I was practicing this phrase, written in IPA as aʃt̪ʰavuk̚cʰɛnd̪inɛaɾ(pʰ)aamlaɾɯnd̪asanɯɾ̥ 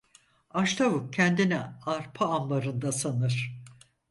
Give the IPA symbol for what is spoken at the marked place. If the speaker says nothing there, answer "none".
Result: pʰ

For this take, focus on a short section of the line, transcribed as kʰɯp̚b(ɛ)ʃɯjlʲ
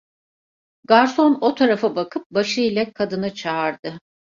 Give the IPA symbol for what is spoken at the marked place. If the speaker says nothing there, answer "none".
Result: a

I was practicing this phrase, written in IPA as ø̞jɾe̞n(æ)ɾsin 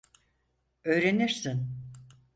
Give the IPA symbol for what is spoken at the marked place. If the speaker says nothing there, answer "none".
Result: i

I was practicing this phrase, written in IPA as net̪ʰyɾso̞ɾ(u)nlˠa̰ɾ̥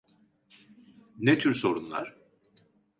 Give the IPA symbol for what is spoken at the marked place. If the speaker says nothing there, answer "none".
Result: u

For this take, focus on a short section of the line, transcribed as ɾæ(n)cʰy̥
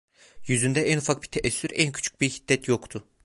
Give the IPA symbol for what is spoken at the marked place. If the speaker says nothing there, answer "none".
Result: n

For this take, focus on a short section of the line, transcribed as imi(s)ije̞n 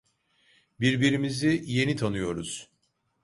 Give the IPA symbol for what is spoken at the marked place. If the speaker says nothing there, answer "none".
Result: z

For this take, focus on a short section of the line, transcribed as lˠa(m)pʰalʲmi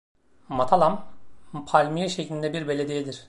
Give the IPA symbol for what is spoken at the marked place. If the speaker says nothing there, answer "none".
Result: m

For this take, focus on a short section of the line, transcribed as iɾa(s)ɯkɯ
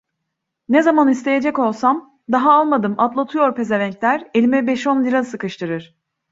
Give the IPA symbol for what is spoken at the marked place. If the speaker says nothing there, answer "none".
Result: s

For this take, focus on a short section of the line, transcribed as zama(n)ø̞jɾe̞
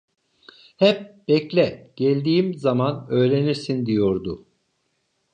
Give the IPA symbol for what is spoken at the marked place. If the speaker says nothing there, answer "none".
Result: n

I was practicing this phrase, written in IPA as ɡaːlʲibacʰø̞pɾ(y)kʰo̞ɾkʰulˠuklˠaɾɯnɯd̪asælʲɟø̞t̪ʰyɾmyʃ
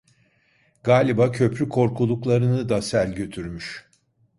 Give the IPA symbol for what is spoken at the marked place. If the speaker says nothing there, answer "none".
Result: y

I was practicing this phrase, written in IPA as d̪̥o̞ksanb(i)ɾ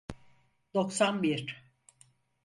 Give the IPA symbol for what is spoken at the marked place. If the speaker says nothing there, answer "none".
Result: i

